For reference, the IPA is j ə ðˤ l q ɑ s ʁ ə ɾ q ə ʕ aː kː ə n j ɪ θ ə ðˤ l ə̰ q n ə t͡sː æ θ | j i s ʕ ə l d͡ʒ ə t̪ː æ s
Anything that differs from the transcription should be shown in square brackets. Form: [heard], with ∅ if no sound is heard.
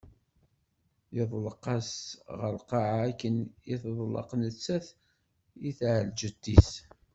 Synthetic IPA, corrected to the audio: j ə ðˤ l q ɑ s ʁ ə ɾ q [ɑ] ʕ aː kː ə n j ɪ θ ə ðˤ l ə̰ q n ə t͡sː æ θ | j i [θ] ʕ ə l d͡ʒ ə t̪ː [i] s